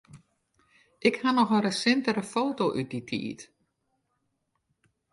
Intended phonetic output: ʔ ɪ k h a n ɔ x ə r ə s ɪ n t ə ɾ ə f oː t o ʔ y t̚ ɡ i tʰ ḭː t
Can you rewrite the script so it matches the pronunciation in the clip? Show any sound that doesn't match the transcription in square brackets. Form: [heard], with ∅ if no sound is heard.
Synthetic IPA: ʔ ɪ k h a n ɔ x ə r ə s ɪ n t ə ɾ ə f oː t o ʔ y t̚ [d] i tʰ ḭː t